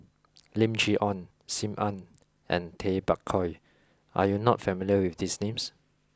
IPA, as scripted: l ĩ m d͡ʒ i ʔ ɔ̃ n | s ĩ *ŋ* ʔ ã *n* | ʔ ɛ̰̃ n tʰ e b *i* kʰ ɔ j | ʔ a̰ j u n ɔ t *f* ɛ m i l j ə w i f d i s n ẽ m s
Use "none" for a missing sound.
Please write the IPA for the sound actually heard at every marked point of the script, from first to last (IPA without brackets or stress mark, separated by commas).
m, n, a, f